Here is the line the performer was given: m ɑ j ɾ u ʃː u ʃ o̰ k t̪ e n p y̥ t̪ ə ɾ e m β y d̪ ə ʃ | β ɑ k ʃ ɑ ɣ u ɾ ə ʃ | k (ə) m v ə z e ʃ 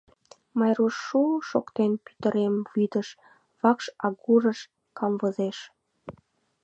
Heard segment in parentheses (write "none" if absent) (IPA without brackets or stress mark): ɑ